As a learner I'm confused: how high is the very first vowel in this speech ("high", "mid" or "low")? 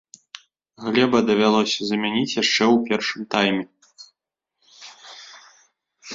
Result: mid